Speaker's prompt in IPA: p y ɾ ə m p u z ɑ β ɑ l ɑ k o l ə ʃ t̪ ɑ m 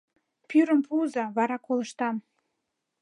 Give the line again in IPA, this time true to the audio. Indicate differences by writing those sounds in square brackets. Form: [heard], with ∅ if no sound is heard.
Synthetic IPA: p y ɾ ə m p u z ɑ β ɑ [ɾ] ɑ k o l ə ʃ t̪ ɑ m